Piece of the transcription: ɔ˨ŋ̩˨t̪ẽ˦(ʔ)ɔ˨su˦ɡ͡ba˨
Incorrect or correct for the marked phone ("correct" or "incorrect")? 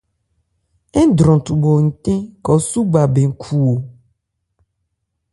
incorrect